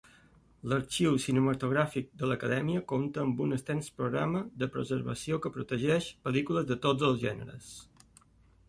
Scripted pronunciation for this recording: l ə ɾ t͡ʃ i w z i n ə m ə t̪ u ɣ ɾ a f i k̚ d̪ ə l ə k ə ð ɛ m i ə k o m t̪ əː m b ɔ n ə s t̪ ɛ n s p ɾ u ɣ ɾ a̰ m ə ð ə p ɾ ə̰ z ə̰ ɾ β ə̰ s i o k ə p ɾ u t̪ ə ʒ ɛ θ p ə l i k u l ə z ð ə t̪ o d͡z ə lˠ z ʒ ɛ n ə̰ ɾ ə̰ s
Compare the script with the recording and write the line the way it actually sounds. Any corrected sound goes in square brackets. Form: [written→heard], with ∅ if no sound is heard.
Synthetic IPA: l ə ɾ t͡ʃ i w [z→s] i n ə m ə t̪ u ɣ ɾ a f i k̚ d̪ ə l ə k ə ð ɛ m i ə k o m t̪ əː m b [ɔ→u] n ə s t̪ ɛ n s p ɾ u ɣ ɾ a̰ m ə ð ə p ɾ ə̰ z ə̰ ɾ β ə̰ s i o k ə p ɾ u t̪ ə ʒ ɛ [θ→ʃ] p ə l i k u l ə z ð ə t̪ o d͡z ə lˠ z ʒ ɛ n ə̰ ɾ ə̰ s